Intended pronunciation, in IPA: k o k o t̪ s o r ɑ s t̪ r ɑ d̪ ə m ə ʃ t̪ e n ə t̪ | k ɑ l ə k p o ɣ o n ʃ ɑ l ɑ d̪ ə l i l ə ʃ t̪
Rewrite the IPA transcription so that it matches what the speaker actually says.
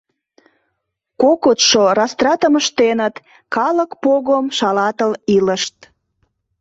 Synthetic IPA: k o k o t̪ ʃ o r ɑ s t̪ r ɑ t̪ ə m ə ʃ t̪ e n ə t̪ | k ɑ l ə k p o ɣ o m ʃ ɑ l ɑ t̪ ə l i l ə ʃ t̪